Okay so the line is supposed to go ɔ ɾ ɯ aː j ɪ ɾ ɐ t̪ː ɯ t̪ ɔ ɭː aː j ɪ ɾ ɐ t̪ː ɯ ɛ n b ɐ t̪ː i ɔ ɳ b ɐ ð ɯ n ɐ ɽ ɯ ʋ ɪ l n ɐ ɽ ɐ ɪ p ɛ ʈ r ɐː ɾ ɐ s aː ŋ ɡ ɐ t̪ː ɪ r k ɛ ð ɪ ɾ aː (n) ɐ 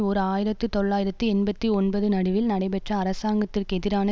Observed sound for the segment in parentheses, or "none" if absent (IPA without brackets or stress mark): n